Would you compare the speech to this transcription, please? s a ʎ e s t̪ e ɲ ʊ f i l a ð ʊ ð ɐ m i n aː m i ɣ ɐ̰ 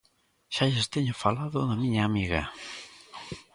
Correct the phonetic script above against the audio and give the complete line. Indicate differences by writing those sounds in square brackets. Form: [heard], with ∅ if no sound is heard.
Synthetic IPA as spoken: [ʃ] a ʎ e s t̪ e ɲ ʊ f [a] l a ð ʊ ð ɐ m i [ɲ] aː m i ɣ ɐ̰